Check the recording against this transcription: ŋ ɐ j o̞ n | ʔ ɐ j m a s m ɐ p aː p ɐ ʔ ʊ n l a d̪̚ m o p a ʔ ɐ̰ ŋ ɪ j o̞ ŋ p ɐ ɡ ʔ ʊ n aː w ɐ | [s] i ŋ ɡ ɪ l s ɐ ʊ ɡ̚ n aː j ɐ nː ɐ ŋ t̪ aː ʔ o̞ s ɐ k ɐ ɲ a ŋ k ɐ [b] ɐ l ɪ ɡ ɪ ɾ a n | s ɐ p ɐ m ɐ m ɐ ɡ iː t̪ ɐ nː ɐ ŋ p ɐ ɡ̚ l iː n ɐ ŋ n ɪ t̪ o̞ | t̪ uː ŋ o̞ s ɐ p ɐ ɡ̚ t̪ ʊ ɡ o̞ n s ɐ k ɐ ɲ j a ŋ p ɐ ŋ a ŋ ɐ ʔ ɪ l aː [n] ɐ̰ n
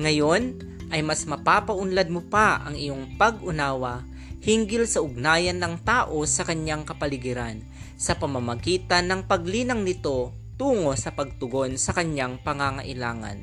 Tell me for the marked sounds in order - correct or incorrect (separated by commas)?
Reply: incorrect, incorrect, incorrect